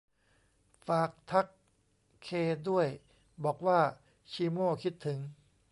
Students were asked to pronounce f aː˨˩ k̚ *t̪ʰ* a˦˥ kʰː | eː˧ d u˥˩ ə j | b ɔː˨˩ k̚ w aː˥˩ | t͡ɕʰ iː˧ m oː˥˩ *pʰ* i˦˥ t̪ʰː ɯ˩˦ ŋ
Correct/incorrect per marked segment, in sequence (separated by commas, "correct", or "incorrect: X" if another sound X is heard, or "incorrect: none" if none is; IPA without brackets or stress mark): correct, incorrect: kʰ